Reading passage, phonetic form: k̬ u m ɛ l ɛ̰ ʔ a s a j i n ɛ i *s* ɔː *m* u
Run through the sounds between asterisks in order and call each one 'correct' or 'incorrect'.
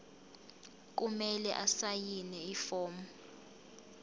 incorrect: f, correct

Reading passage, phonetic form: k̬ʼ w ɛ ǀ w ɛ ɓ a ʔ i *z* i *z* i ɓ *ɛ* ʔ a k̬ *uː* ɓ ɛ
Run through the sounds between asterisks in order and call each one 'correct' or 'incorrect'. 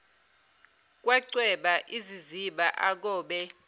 correct, correct, incorrect: a, incorrect: ɔː

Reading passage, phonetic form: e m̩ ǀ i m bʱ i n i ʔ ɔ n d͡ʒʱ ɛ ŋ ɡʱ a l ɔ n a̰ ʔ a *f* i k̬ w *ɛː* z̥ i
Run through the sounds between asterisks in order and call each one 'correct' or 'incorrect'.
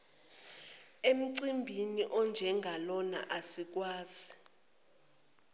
incorrect: s, incorrect: aː

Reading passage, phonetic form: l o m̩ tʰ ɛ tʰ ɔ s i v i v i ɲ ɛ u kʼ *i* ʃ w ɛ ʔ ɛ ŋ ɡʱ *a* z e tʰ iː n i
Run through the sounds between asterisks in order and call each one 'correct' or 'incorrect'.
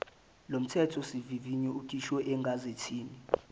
correct, correct

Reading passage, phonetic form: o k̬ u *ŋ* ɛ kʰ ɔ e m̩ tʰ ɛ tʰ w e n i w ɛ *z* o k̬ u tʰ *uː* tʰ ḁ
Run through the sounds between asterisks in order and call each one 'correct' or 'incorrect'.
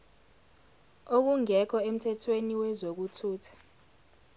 correct, correct, correct

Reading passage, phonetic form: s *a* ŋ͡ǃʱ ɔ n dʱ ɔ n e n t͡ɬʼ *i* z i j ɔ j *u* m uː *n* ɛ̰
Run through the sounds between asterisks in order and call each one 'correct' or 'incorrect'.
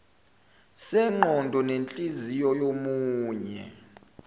incorrect: ɛ, correct, incorrect: o, incorrect: ɲ

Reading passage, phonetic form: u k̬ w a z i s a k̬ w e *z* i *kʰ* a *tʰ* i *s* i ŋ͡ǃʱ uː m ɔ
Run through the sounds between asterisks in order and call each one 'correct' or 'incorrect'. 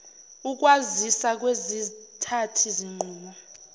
correct, incorrect: tʰ, correct, incorrect: z

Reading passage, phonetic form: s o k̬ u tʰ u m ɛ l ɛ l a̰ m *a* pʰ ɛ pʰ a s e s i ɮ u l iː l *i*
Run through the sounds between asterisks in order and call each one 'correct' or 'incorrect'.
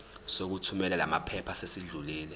correct, incorrect: ɛ

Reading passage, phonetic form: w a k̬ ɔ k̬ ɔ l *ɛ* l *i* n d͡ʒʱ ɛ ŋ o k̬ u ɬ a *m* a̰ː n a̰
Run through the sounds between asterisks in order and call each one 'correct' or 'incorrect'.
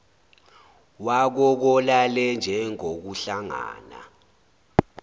incorrect: a, incorrect: ɛ, incorrect: ŋ

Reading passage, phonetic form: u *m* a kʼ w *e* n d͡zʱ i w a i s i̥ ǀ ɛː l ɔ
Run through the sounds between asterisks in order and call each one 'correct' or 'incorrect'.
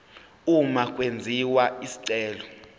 correct, correct

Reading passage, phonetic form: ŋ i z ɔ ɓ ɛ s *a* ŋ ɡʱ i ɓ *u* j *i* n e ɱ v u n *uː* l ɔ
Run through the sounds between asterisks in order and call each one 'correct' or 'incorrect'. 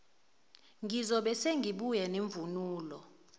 incorrect: e, correct, incorrect: ɛ, correct

